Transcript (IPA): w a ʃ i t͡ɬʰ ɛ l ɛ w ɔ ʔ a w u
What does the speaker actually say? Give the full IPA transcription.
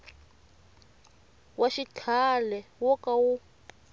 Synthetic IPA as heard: w a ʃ i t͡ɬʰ a l ɛ w ɔ k a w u